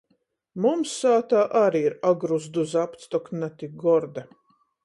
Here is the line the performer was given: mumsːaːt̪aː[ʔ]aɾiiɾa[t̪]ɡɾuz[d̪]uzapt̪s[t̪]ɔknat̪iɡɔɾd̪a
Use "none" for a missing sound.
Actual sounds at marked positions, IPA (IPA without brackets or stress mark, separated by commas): ʔ, none, d̪, t̪